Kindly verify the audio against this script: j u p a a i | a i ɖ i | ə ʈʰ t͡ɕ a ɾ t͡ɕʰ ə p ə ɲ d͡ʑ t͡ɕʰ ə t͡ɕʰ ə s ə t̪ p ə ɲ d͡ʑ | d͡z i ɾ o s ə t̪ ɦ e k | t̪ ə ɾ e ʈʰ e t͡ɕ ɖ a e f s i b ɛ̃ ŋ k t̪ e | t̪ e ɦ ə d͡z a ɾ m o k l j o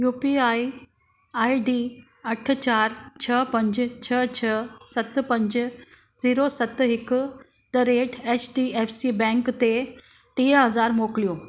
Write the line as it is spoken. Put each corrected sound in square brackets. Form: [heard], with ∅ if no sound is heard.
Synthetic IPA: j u p [i] a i | a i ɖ i | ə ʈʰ t͡ɕ a ɾ t͡ɕʰ ə p ə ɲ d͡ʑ t͡ɕʰ ə t͡ɕʰ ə s ə t̪ p ə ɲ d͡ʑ | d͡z i ɾ o s ə t̪ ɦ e k | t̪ ə ɾ e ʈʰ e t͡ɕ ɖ [i] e f s i b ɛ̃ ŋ k t̪ e | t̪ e ɦ ə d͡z a ɾ m o k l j o

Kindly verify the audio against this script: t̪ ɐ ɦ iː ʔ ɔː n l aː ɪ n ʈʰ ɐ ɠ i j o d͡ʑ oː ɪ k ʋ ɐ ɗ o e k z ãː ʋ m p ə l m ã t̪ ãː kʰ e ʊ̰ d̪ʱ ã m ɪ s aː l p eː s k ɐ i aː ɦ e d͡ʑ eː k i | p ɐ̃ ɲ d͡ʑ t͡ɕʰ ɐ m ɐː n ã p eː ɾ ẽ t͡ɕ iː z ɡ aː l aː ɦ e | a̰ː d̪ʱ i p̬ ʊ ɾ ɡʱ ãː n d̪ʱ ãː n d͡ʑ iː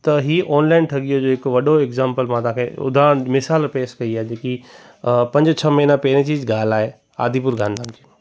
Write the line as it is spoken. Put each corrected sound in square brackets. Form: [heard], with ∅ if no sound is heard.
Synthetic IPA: t̪ ɐ ɦ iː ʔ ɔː n l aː ɪ n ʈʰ ɐ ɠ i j o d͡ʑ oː ɪ k ʋ ɐ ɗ o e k z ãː [∅] m p ə l m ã t̪ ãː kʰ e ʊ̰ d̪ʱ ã m ɪ s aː l p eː s k ɐ i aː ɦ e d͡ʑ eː k i | p ɐ̃ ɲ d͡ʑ t͡ɕʰ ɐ m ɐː n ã p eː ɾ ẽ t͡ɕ iː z ɡ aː l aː ɦ e | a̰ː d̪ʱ i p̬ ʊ ɾ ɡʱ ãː n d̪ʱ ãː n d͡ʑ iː

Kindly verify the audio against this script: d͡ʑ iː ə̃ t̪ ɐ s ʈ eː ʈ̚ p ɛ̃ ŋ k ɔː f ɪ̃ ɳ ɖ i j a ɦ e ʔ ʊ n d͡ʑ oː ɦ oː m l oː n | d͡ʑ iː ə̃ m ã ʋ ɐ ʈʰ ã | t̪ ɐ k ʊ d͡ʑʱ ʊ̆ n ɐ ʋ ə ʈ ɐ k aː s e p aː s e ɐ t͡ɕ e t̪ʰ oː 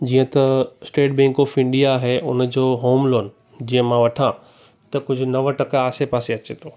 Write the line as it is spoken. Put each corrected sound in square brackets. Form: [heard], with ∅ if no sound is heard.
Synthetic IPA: d͡ʑ iː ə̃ t̪ ɐ s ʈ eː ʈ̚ [b] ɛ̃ ŋ k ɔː f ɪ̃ ɳ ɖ i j a ɦ e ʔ ʊ n d͡ʑ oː ɦ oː m l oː n | d͡ʑ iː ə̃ m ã ʋ ɐ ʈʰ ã | t̪ ɐ k ʊ d͡ʑʱ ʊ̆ n ɐ ʋ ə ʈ ɐ k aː s e p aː s e ɐ t͡ɕ e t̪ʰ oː

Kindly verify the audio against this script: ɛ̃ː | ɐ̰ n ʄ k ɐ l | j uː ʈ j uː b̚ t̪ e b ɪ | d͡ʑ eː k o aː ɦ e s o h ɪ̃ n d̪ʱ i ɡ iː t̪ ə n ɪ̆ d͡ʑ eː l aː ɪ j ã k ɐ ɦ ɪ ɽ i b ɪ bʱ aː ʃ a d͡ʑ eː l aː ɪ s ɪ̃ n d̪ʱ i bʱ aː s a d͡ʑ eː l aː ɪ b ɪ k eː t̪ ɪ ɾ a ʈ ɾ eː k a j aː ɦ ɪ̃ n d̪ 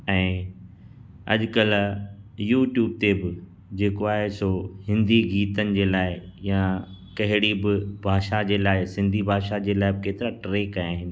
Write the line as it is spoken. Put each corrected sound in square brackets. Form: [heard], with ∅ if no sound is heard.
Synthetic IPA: ɛ̃ː | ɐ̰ [∅] ʄ k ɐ l | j uː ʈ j uː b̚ t̪ e b ɪ | d͡ʑ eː k o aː ɦ e s o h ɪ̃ n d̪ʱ i ɡ iː t̪ ə n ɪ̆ d͡ʑ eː l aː ɪ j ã k ɐ ɦ ɪ ɽ i b ɪ bʱ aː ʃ a d͡ʑ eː l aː ɪ s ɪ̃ n d̪ʱ i bʱ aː [ʃ] a d͡ʑ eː l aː ɪ b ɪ k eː t̪ ɪ ɾ a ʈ ɾ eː k a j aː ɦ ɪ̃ n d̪

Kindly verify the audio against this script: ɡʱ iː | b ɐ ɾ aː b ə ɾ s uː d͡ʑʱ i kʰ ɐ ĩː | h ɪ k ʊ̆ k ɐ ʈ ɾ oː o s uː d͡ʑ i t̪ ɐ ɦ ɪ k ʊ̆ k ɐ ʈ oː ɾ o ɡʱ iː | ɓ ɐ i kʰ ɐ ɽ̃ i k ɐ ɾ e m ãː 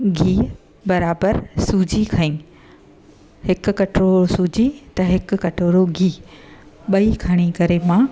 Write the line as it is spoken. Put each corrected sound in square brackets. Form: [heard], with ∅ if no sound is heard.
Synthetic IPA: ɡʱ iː | b ɐ ɾ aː b ə ɾ s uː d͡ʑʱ i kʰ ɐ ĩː | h ɪ k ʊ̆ k ɐ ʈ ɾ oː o s uː d͡ʑ i t̪ ɐ ɦ ɪ k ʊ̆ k ɐ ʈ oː ɾ o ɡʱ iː | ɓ ɐ i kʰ ɐ ɽ̃ i k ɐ ɾ e m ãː

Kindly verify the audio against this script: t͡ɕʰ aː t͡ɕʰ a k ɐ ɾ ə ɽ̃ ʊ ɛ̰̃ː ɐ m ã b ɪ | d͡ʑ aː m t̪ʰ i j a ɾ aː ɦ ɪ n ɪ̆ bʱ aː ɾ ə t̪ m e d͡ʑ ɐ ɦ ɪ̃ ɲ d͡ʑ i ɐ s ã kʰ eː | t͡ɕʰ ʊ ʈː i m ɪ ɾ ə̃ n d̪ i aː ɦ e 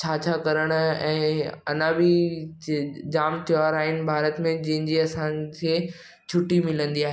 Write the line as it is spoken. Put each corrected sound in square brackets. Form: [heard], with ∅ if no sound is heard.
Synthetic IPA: t͡ɕʰ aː t͡ɕʰ a k ɐ ɾ ə ɽ̃ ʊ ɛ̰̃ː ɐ [n] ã b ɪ | d͡ʑ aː m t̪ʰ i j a ɾ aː ɦ ɪ n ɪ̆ bʱ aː ɾ ə t̪ m [ẽ] d͡ʑ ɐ ɦ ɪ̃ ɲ d͡ʑ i ɐ s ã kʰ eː | t͡ɕʰ ʊ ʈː i m ɪ [l] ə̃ n d̪ i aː ɦ e

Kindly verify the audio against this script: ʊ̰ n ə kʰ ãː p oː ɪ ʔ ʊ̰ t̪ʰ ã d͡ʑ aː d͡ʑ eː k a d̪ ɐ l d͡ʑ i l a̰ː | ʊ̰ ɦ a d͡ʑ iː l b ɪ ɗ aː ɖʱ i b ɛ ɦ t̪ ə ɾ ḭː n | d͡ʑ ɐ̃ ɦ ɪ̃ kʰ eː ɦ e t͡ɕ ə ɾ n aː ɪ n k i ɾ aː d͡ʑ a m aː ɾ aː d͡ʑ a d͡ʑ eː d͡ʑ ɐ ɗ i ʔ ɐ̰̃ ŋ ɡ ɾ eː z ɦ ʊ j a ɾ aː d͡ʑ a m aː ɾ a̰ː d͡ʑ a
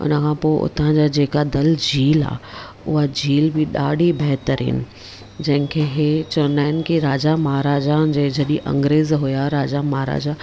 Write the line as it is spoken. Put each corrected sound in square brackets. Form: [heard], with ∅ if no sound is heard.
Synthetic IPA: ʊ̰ n ə kʰ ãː p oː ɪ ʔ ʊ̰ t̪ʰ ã d͡ʑ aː d͡ʑ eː k a d̪ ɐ l d͡ʑ [iː] l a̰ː | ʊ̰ ɦ a d͡ʑ iː l b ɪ ɗ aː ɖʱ i b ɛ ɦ t̪ ə ɾ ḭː n | d͡ʑ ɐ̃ ɦ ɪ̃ kʰ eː ɦ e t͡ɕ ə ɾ n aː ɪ n k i ɾ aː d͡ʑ a m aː ɾ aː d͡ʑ a d͡ʑ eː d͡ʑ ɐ ɗ i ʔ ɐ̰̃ ŋ ɡ ɾ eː z ɦ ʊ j a ɾ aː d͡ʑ a m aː ɾ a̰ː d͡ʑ a

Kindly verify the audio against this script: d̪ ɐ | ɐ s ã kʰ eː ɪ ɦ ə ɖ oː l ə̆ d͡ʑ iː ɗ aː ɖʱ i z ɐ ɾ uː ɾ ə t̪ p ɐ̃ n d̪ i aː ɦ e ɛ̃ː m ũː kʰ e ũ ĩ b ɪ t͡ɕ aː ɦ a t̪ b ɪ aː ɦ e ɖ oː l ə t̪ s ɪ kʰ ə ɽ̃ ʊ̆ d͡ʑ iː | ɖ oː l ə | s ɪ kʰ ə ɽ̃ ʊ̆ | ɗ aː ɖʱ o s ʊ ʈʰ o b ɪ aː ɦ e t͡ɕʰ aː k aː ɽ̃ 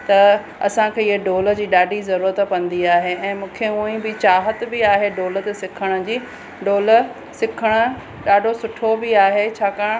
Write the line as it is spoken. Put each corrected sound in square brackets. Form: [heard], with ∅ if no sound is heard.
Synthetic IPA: [t̪] ɐ | ɐ s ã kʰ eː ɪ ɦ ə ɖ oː l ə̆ d͡ʑ iː ɗ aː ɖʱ i z ɐ ɾ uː ɾ ə t̪ p ɐ̃ n d̪ i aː ɦ e ɛ̃ː m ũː kʰ e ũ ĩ b ɪ t͡ɕ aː ɦ [ə] t̪ b ɪ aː ɦ e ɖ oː l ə t̪ s ɪ kʰ ə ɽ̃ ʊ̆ d͡ʑ iː | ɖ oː l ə | s ɪ kʰ ə ɽ̃ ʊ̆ | ɗ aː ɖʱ o s ʊ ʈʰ o b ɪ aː ɦ e t͡ɕʰ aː k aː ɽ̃

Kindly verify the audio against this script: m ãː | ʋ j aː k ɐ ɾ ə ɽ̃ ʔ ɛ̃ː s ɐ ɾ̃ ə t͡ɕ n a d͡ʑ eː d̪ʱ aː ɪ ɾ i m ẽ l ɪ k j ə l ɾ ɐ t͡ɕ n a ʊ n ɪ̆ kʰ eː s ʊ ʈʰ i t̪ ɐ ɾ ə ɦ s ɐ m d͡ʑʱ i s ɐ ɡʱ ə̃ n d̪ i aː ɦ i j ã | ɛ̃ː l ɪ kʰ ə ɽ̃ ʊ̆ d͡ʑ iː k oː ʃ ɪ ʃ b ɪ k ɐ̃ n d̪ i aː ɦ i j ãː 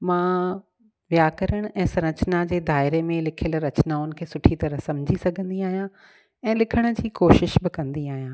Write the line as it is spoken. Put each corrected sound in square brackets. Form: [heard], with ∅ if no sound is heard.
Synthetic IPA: m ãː | ʋ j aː k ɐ ɾ ə ɽ̃ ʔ ɛ̃ː s ɐ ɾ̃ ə t͡ɕ n a d͡ʑ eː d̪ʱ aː ɪ ɾ [e] m ẽ l ɪ [kʰ] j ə l ɾ ɐ t͡ɕ n a ʊ n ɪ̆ kʰ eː s ʊ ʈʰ i t̪ ɐ ɾ ə ɦ s ɐ m d͡ʑʱ i s ɐ ɡʱ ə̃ n d̪ i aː ɦ i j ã | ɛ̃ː l ɪ kʰ ə ɽ̃ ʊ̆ d͡ʑ iː k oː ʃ ɪ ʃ b ɪ k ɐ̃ n d̪ i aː ɦ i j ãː

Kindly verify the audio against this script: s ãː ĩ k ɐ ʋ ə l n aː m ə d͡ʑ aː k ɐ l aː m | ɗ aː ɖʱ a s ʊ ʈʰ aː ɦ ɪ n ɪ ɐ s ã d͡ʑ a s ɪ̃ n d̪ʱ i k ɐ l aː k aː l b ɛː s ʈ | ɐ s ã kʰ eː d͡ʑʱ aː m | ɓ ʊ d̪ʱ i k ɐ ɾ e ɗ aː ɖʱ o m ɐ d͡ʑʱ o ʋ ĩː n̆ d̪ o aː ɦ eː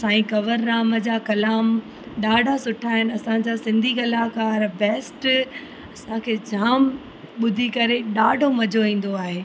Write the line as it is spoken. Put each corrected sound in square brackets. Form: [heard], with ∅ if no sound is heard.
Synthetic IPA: s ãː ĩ k ɐ ʋ ə [ɾ] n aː m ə d͡ʑ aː k ɐ l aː m | ɗ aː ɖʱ a s ʊ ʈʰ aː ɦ ɪ n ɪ ɐ s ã d͡ʑ a s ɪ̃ n d̪ʱ i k ɐ l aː k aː [ɾ] b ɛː s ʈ | ɐ s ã kʰ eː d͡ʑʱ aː m | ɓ ʊ d̪ʱ i k ɐ ɾ e ɗ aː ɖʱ o m ɐ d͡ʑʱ o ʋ ĩː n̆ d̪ o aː ɦ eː

